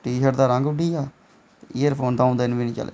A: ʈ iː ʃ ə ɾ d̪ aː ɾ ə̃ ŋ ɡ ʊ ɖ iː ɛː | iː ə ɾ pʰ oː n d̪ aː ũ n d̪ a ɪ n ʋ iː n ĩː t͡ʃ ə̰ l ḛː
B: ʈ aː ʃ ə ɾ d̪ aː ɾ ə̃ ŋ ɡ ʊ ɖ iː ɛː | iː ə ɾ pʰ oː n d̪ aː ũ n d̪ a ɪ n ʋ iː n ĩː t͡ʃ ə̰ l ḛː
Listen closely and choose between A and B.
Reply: A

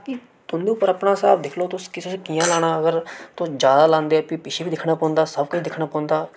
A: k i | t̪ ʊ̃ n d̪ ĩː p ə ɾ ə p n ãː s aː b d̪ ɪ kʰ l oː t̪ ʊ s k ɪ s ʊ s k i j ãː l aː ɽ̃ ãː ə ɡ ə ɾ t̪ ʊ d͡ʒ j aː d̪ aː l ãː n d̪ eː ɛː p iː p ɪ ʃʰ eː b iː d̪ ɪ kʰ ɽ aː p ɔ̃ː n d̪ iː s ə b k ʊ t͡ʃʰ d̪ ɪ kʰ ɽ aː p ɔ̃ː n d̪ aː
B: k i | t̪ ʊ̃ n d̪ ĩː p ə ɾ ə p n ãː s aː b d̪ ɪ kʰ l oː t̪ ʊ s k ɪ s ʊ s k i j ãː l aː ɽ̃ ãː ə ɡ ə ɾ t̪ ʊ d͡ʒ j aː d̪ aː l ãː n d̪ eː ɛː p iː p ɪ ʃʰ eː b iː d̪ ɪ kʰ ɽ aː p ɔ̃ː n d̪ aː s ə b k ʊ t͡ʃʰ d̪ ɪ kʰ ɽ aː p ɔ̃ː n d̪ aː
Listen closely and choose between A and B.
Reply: B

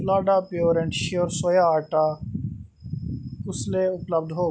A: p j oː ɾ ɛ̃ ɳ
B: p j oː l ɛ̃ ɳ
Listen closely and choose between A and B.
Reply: A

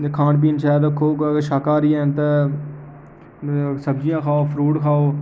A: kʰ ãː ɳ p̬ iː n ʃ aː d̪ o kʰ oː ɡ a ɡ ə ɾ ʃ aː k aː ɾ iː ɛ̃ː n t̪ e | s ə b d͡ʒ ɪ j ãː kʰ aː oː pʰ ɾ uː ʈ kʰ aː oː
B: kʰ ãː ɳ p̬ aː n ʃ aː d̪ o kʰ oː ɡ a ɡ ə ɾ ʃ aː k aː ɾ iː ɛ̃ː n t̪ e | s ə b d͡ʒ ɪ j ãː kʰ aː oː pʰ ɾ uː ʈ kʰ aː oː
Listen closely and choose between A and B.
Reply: A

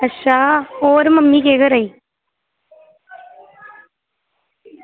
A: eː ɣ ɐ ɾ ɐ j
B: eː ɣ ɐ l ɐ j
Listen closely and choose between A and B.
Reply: A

